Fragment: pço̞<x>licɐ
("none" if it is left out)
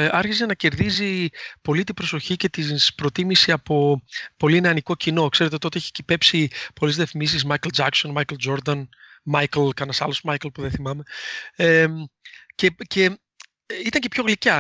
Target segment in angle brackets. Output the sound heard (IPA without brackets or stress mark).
ɣ